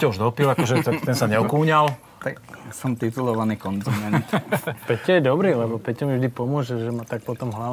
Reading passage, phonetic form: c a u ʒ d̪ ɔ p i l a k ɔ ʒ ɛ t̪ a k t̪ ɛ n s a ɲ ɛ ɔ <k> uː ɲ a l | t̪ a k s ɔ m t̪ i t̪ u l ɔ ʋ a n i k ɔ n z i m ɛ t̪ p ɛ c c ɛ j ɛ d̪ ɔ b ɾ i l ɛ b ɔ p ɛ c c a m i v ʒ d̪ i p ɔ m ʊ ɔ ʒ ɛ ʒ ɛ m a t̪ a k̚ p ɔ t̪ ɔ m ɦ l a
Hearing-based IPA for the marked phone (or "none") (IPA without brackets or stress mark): k